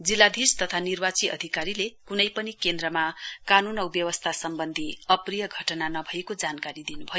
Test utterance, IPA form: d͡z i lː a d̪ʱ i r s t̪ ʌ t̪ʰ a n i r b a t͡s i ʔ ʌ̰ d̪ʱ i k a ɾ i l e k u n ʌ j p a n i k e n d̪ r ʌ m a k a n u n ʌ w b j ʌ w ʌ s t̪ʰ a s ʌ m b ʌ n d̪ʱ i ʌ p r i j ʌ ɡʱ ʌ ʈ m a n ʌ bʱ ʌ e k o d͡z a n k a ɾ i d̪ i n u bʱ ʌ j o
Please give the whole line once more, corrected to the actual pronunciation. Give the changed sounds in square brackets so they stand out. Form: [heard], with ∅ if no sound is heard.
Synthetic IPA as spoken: d͡z i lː a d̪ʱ i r s t̪ ʌ t̪ʰ a n i r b a t͡s i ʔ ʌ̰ d̪ʱ i k a ɾ i l e k u n ʌ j p [ʌ] n i k e n d̪ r ʌ m a k a n u n ʌ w b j ʌ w ʌ s t̪ʰ a s ʌ m b ʌ n d̪ʱ i ʌ p r i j ʌ ɡʱ ʌ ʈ [n] a n ʌ bʱ ʌ e k o d͡z a n k a ɾ i d̪ i n u bʱ ʌ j o